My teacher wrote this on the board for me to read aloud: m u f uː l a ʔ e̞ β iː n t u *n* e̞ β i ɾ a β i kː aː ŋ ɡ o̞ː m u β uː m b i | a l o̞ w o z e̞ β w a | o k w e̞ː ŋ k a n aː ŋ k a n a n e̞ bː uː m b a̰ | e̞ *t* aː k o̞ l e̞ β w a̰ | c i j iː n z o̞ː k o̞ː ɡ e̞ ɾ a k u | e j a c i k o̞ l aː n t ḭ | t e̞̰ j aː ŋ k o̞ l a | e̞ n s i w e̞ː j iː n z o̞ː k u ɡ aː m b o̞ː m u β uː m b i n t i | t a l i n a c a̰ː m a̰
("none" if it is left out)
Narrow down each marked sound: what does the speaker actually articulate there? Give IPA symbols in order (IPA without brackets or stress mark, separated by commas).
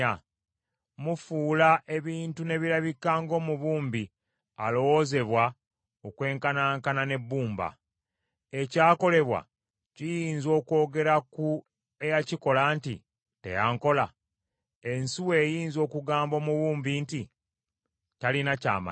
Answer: n, c